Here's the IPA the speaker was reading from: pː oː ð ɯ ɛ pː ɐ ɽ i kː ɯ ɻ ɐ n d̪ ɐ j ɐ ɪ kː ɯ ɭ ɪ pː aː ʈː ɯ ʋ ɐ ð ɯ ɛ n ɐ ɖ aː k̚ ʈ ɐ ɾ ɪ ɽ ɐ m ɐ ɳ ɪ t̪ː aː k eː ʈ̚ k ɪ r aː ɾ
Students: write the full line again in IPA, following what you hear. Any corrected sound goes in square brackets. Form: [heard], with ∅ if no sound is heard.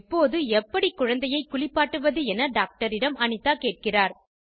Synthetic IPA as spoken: pː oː ð ɯ ɛ pː ɐ ɽ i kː [ʊ] ɻ ɐ n d̪ ɐ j ɐ ɪ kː [ʊ] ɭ ɪ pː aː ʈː ɯ ʋ ɐ ð ɯ ɛ n ɐ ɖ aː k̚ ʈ ɐ ɾ ɪ ɽ ɐ m ɐ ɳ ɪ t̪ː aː k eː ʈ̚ k ɪ r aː ɾ

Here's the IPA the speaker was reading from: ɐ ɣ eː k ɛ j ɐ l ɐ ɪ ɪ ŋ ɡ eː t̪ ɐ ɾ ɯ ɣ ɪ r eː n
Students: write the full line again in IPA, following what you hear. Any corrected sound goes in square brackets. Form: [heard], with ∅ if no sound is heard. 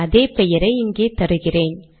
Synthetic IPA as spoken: ɐ [ð] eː [p] ɛ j ɐ [ɾ] ɐ ɪ ɪ ŋ ɡ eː t̪ ɐ ɾ ɯ ɣ ɪ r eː n

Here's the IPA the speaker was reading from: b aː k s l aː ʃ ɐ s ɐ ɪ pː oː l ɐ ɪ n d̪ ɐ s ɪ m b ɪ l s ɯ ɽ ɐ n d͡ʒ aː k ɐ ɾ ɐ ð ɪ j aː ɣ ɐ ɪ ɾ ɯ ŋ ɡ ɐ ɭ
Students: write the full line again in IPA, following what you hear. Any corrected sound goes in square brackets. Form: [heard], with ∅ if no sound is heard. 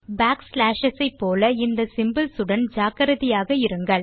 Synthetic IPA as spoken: b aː k s l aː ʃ ɐ s ɐ ɪ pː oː l ɐ ɪ n d̪ ɐ s ɪ m b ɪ l s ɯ ɽ ɐ n d͡ʒ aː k ɐ ɾ ɐ ð ɪ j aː ɣ ɐ ɪ ɾ ɯ ŋ ɡ ɐ ɭ

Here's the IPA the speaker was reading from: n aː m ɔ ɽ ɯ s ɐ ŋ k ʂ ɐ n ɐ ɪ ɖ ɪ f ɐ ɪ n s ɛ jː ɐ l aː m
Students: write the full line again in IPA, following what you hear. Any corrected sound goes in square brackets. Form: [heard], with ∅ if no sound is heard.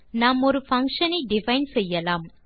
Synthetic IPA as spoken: n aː m ɔ [ɾ] ɯ [f] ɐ ŋ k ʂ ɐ n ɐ ɪ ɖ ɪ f ɐ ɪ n s ɛ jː ɐ l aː m

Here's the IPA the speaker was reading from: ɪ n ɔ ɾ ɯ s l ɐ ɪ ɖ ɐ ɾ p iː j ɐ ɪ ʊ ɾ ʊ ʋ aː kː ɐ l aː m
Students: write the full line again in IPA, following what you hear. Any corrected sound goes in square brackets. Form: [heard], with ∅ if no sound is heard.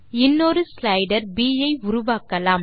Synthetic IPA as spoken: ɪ [nː] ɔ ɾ ɯ s l ɐ ɪ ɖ ɐ ɾ [b] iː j ɐ ɪ ʊ ɾ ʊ ʋ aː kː ɐ l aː m

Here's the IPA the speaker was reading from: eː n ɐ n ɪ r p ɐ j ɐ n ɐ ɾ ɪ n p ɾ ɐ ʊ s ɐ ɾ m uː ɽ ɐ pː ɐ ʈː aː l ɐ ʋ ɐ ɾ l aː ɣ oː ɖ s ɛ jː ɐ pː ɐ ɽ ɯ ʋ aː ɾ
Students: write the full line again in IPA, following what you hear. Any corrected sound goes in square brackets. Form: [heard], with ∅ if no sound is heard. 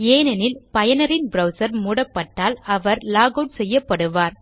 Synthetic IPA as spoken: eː n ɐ n ɪ [l] p ɐ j ɐ n ɐ ɾ ɪ n [b] ɾ ɐ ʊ s ɐ ɾ m uː ɽ ɐ pː ɐ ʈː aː l ɐ ʋ ɐ ɾ l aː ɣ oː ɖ s ɛ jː ɐ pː ɐ ɽ ɯ ʋ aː ɾ

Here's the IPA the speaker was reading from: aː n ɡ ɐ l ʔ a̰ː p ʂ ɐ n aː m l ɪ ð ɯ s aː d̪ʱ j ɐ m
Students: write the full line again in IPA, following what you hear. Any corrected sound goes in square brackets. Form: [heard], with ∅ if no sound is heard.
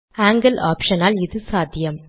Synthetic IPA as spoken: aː [ŋ] ɡ ɐ l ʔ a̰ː p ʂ ɐ n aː [∅] l ɪ ð ɯ s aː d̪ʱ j ɐ m

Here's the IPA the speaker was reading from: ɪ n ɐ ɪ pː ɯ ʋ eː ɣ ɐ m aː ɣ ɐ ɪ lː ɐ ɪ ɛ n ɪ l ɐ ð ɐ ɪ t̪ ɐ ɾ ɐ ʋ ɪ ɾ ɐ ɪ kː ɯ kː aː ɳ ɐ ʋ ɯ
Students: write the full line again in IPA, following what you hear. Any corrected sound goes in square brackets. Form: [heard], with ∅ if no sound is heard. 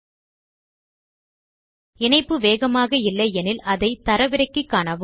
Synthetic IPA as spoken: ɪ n ɐ ɪ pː ɯ ʋ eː ɣ ɐ m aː ɣ ɐ ɪ lː ɐ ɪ ɛ n ɪ l ɐ ð ɐ ɪ t̪ ɐ ɾ ɐ ʋ ɪ ɾ ɐ ɪ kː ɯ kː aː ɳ ɐ ʋ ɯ

